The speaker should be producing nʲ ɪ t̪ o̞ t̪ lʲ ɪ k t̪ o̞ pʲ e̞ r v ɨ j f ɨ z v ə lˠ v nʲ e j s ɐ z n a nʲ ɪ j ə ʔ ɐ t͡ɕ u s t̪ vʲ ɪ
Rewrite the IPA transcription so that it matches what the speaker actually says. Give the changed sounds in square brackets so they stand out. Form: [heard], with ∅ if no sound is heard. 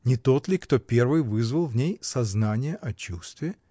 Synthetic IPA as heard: nʲ ɪ t̪ o̞ t̪ lʲ ɪ k t̪ o̞ pʲ e̞ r v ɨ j [v] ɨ z v ə lˠ v nʲ e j s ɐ z n a nʲ ɪ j ə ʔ ɐ t͡ɕ u s t̪ vʲ ɪ